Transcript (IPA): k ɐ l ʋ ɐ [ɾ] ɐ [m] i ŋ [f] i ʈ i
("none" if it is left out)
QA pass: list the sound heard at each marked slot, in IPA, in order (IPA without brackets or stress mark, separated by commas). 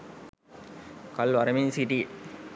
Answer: ɾ, m, s